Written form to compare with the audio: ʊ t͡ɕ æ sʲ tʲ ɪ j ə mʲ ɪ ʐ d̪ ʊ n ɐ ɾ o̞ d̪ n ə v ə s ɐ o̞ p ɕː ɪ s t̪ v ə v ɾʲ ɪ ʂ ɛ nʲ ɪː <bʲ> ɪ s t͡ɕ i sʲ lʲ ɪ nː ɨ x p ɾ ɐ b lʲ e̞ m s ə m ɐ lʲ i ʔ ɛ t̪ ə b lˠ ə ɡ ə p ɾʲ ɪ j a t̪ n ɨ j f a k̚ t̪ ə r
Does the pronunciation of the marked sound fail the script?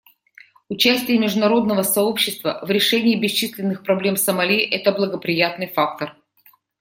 no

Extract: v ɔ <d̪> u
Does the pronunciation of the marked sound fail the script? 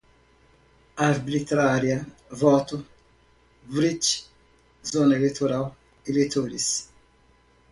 yes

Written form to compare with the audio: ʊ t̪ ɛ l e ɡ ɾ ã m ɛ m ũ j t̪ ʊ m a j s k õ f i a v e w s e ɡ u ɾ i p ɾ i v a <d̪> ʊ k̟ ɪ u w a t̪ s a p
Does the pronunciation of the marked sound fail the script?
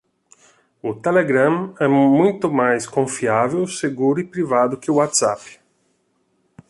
no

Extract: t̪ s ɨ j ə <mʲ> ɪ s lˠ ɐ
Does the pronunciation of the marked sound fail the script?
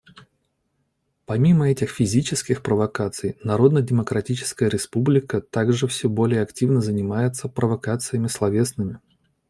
no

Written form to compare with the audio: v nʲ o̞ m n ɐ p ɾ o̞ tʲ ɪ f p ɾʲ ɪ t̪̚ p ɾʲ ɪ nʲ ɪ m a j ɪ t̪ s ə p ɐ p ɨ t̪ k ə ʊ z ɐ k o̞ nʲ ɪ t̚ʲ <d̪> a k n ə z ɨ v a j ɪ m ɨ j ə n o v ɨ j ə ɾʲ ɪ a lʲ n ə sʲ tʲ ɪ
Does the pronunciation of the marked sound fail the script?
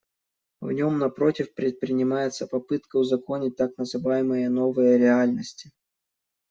yes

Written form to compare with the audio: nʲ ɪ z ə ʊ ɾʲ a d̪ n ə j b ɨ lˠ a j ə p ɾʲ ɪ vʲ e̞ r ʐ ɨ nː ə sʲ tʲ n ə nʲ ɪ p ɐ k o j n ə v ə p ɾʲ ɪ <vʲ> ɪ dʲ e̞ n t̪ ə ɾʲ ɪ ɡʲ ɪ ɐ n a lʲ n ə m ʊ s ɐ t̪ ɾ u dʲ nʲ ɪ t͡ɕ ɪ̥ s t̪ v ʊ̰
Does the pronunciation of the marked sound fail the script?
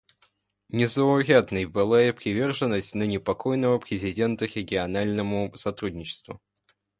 yes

